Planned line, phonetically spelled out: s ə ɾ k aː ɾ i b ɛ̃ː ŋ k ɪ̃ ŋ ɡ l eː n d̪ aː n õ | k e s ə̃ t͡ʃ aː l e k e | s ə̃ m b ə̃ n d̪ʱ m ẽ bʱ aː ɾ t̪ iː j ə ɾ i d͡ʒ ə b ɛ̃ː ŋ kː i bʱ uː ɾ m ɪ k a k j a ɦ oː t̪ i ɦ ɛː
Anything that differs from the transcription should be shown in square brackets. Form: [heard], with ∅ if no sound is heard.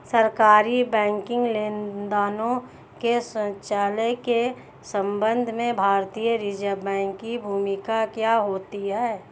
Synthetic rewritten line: s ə ɾ k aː ɾ i b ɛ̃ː ŋ k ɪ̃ ŋ ɡ l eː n d̪ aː n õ | k e s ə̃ t͡ʃ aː l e k e | s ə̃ m b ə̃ n d̪ʱ m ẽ bʱ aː ɾ t̪ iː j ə ɾ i d͡ʒ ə b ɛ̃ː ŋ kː i bʱ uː [∅] m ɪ k a k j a ɦ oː t̪ i ɦ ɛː

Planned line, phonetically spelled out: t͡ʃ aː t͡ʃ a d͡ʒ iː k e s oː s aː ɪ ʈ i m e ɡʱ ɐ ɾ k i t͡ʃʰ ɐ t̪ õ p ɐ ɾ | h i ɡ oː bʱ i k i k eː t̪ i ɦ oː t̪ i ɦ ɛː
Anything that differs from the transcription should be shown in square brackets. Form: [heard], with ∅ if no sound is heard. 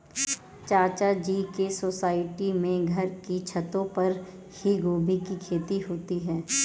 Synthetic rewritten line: t͡ʃ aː t͡ʃ a d͡ʒ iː k e s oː s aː ɪ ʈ i m [ẽ] ɡʱ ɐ ɾ k i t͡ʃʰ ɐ t̪ õ p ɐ ɾ | h i ɡ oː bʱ i k i [kʰ] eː t̪ i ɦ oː t̪ i ɦ ɛː

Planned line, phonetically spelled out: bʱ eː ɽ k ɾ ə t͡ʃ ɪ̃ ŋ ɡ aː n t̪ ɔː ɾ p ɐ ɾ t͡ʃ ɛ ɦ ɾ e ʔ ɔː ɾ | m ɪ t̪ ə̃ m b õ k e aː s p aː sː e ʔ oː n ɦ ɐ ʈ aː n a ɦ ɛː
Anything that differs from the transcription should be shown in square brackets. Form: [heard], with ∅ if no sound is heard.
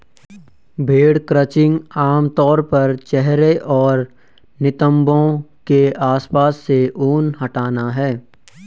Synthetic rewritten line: bʱ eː ɽ k ɾ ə t͡ʃ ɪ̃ ŋ ɡ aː [m] t̪ ɔː ɾ p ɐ ɾ t͡ʃ ɛ ɦ ɾ e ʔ ɔː ɾ | [n] ɪ t̪ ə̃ m b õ k e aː s p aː sː e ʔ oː n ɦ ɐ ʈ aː n a ɦ ɛː

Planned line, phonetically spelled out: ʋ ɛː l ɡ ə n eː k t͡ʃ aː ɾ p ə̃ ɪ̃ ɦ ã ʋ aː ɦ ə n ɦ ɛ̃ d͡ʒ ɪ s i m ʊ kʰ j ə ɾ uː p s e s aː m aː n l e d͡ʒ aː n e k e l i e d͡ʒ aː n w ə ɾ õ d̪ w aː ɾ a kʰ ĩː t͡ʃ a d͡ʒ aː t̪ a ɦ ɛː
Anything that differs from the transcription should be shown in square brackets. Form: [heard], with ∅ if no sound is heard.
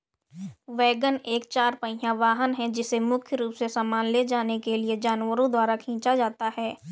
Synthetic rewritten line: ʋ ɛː [∅] ɡ ə n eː k t͡ʃ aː ɾ p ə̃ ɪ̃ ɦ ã ʋ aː ɦ ə n ɦ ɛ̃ d͡ʒ ɪ s [e] m ʊ kʰ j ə ɾ uː p s e s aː m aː n l e d͡ʒ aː n e k e l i e d͡ʒ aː n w ə ɾ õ d̪ w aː ɾ a kʰ ĩː t͡ʃ a d͡ʒ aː t̪ a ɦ ɛː

